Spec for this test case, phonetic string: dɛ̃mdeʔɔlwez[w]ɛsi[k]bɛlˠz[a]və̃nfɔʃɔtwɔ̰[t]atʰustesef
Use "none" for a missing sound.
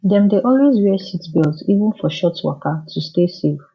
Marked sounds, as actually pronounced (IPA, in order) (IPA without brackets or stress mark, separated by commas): w, t, i, k